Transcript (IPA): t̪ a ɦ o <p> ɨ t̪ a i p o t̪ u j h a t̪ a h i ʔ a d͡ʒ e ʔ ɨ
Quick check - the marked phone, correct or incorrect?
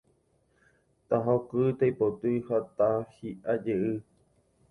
incorrect